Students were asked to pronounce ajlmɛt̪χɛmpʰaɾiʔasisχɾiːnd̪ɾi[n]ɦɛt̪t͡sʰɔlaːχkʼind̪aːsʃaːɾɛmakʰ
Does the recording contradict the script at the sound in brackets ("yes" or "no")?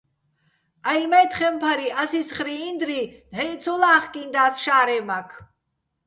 no